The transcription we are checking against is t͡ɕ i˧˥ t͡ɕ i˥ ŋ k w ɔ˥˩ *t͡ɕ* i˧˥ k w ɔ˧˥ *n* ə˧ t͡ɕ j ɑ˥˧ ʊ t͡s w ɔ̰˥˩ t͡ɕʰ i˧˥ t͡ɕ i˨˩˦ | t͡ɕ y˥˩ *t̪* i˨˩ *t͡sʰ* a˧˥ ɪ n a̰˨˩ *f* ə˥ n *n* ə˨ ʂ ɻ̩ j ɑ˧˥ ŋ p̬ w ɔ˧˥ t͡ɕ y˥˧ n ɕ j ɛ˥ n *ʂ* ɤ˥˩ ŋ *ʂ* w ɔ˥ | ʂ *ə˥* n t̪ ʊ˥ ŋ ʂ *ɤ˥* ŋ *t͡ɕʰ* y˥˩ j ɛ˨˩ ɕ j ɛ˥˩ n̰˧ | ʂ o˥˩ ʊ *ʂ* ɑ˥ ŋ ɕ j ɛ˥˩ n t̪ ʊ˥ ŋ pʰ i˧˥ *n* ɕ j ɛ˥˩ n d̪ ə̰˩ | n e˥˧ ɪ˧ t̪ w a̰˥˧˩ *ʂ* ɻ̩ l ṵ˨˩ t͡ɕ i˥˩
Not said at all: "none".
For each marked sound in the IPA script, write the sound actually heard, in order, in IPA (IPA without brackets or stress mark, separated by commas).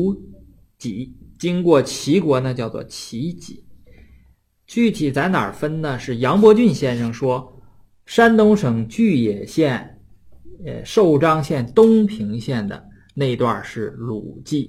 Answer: t͡ɕʰ, n, t̪ʰ, t͡s, f, n, ʂ, ʂ, a˥, ɤ˨˩, t͡ɕ, ʈ͡ʂ, ŋ, ʂ